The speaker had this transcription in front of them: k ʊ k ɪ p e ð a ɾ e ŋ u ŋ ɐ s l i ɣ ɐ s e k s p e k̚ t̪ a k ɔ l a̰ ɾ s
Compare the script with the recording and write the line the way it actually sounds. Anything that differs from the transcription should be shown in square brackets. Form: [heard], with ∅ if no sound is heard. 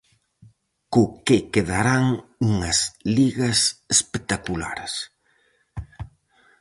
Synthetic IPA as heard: k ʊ k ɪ [k] e ð a ɾ [a] ŋ u ŋ ɐ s l i ɣ ɐ s e [∅] s p e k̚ t̪ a k [u] l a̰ ɾ s